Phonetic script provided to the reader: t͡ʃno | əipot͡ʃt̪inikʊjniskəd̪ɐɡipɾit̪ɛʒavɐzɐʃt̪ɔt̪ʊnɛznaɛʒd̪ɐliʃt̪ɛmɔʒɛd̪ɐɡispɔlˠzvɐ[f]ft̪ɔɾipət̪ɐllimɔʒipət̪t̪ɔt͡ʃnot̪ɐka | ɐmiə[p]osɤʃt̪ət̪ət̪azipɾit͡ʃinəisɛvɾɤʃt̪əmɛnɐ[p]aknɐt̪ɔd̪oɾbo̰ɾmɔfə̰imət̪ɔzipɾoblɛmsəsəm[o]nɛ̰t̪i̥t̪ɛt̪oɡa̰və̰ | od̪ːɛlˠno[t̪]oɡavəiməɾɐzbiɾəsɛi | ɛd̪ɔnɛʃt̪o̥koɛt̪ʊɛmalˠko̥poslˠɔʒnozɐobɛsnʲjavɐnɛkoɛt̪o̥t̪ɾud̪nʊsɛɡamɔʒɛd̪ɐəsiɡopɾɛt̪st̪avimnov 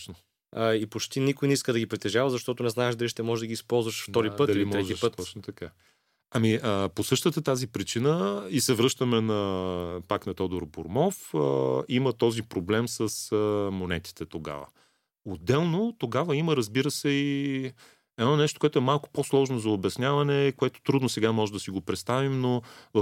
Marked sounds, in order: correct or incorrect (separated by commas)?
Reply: incorrect, correct, correct, correct, correct